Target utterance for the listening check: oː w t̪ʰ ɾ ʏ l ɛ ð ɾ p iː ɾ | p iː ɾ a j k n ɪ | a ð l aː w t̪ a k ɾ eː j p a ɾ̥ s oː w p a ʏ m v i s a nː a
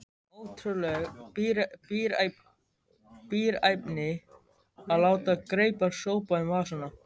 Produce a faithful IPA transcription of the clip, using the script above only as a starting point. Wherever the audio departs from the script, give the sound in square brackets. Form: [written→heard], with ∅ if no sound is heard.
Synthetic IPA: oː w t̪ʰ ɾ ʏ l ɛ [ð→ɣ] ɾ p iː ɾ | p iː ɾ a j [k→p] n ɪ | a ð l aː w t̪ a k ɾ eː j p a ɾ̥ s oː w p a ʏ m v [i→a] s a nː a